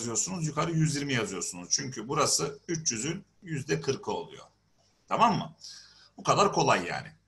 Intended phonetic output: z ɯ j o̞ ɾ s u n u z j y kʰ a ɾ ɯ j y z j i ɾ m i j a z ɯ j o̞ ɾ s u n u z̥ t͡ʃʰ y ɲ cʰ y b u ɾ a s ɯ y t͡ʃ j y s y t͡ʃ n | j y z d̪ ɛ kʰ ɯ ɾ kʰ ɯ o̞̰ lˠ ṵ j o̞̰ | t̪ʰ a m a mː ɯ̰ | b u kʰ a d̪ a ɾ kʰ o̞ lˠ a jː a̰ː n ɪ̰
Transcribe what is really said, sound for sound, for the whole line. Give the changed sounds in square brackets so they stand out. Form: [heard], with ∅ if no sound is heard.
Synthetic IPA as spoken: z ɯ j o̞ ɾ s u n u z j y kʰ a ɾ ɯ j y z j i ɾ m i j a z ɯ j o̞ ɾ s u n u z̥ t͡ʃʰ y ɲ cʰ y b u ɾ a s ɯ y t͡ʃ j y [z] y [∅] n | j y z d̪ ɛ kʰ ɯ ɾ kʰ ɯ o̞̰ lˠ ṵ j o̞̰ | t̪ʰ a m a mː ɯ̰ | b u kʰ a d̪ a ɾ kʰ o̞ lˠ a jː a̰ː n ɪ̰